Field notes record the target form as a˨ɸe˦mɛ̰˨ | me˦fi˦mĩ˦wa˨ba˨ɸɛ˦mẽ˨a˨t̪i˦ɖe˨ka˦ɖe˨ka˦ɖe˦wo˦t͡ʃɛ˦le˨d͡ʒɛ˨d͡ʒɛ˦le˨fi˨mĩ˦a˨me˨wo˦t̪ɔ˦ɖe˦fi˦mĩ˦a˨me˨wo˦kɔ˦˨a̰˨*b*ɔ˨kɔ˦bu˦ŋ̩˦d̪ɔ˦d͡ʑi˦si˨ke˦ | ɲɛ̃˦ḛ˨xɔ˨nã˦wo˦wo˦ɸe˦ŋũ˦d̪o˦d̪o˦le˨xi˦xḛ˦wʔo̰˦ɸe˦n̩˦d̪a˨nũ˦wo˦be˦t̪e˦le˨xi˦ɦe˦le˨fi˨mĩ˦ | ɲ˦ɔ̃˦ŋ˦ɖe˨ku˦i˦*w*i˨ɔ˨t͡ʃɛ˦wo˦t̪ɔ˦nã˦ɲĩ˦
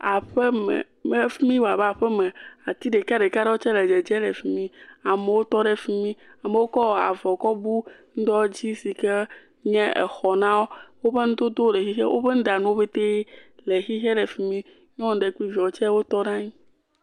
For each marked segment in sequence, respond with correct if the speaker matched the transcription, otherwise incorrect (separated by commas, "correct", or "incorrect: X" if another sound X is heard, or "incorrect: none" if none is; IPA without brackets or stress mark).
incorrect: v, incorrect: v